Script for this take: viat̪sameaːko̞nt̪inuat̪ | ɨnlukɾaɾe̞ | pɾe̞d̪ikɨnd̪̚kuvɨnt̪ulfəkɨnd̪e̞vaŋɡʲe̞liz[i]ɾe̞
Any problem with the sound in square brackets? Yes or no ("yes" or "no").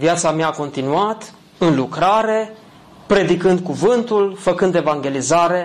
yes